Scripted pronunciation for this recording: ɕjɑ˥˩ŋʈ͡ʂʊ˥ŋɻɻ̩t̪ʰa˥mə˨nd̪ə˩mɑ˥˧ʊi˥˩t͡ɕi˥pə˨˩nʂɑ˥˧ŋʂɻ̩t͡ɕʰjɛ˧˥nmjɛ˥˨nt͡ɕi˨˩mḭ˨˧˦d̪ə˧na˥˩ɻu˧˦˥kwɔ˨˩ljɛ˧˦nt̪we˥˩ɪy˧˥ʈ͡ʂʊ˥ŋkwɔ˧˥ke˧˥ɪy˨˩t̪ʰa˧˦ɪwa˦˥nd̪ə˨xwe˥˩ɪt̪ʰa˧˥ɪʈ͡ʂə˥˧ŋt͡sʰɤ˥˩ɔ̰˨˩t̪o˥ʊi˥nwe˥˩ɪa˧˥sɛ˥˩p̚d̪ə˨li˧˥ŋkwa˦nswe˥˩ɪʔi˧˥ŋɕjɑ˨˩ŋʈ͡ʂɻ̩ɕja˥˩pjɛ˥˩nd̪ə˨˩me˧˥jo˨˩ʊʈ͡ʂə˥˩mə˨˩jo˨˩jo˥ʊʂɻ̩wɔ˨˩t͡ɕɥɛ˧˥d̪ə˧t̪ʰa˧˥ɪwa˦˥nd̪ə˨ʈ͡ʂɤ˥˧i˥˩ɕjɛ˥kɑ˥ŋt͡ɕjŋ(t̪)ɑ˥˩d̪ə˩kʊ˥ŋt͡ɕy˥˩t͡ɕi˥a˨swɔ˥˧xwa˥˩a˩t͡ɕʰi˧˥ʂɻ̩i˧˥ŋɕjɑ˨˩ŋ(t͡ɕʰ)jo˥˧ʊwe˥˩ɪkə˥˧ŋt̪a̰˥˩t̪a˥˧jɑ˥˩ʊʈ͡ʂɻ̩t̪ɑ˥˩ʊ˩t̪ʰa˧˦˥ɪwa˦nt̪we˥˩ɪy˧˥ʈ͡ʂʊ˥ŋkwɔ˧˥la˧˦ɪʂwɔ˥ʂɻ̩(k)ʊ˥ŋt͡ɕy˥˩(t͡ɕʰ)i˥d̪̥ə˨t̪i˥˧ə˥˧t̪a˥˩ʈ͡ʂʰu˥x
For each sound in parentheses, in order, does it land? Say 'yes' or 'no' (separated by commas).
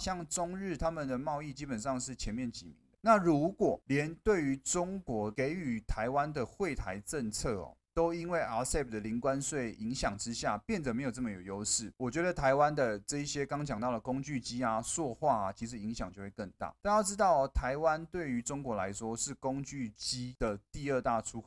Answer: yes, no, yes, no